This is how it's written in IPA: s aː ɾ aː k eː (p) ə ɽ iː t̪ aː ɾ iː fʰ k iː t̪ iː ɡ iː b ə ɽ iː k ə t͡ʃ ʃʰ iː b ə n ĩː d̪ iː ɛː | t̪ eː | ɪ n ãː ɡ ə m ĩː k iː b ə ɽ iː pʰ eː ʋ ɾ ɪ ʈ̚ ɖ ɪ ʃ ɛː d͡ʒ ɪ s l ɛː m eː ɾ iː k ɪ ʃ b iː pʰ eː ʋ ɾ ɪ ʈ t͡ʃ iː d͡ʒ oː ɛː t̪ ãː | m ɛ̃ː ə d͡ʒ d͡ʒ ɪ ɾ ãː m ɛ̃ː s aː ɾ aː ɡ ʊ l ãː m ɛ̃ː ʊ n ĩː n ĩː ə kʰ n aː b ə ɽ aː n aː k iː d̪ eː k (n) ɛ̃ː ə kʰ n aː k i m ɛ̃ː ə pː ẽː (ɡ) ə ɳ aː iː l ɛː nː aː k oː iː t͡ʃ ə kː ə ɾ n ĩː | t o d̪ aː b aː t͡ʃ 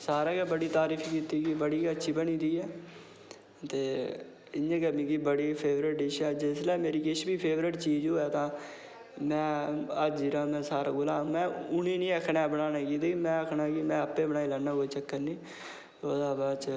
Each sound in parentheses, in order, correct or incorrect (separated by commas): incorrect, incorrect, incorrect